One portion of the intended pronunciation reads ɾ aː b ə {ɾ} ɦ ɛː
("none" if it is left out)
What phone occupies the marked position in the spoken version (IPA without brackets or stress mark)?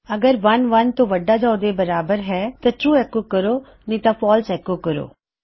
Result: ɾ